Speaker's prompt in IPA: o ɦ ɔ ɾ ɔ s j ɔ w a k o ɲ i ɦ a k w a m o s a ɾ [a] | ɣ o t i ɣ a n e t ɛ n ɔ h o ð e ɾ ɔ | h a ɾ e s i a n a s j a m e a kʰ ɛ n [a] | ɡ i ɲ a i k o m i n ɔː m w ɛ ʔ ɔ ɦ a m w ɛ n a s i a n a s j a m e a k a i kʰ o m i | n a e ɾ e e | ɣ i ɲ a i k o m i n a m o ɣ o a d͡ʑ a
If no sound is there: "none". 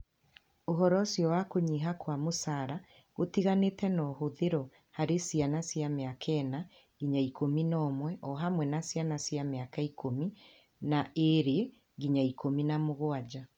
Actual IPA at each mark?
a, a

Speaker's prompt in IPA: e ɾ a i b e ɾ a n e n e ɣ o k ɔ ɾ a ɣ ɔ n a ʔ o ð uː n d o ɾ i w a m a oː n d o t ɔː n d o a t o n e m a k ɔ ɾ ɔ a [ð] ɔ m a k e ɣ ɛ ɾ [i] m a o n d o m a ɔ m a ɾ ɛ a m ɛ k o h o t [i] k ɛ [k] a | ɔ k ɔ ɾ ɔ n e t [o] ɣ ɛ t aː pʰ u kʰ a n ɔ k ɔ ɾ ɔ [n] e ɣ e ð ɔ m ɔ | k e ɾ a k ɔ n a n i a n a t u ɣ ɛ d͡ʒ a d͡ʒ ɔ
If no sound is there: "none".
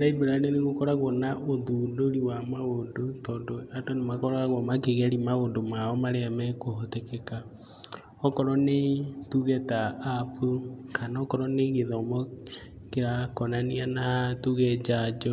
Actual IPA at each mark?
ɣ, i, ɛ, k, u, n

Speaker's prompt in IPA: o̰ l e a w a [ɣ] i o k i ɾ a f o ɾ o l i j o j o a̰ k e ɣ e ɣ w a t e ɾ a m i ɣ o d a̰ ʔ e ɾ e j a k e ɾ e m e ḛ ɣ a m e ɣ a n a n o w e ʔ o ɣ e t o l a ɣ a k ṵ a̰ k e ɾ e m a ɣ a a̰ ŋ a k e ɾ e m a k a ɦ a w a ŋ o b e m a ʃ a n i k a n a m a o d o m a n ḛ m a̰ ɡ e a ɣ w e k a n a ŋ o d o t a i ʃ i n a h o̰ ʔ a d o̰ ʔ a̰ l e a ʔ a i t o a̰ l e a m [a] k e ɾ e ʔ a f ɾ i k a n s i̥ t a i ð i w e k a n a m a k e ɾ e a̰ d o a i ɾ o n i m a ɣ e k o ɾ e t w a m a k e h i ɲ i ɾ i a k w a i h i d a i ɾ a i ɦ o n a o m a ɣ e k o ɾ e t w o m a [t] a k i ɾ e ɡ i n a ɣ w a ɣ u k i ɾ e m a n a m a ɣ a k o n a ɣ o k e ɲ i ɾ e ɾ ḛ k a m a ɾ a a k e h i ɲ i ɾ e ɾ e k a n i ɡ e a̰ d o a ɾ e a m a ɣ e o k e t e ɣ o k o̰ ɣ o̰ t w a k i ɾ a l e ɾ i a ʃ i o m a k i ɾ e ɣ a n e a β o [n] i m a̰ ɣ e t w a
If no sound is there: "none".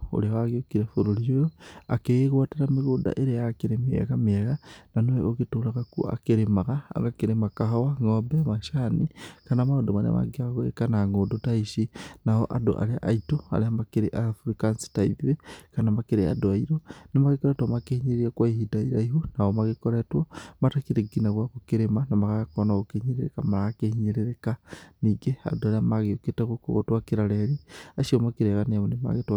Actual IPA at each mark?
ɣ, a, t, n

